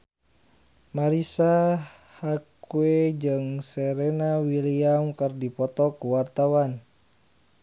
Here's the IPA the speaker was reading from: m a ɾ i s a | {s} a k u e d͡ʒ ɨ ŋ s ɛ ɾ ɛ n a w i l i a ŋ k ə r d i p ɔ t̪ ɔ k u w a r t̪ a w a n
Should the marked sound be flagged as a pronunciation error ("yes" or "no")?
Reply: yes